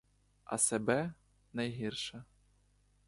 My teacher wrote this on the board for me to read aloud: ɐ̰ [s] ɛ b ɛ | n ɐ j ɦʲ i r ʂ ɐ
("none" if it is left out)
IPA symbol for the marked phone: s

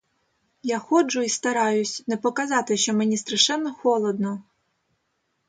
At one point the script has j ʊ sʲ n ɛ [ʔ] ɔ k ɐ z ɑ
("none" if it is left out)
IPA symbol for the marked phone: p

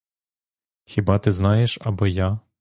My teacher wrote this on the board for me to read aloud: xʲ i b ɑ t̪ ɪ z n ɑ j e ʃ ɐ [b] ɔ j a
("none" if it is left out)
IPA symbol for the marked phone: b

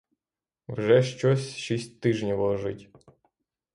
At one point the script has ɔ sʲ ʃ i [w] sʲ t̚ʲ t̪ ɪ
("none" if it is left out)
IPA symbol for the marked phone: none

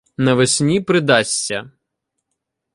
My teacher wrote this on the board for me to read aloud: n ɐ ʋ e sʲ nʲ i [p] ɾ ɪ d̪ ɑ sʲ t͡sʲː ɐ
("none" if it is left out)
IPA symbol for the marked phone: p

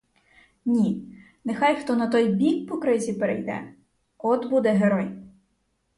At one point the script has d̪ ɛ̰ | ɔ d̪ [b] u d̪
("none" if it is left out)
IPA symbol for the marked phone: b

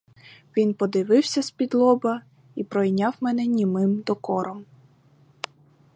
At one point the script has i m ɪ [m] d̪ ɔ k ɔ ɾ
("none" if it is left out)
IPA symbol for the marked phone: m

